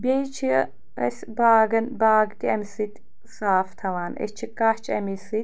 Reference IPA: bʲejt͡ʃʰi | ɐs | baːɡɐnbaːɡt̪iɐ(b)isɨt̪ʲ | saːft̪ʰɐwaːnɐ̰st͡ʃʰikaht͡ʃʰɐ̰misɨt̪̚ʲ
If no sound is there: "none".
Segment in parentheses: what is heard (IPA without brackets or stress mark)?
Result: m